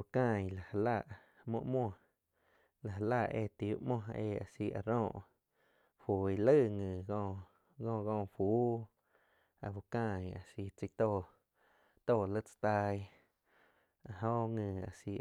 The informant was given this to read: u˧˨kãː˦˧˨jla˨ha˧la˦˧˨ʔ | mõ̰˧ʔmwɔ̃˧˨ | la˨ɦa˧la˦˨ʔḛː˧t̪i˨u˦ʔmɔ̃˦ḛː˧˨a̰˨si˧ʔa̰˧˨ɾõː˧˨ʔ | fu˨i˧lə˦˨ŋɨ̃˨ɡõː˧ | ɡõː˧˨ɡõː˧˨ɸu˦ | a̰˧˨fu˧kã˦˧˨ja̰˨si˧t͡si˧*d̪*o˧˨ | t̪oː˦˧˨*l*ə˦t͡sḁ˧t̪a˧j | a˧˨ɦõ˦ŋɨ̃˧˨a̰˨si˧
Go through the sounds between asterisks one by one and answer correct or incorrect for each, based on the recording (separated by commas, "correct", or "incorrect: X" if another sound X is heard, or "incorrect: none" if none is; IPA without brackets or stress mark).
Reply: incorrect: t̪, correct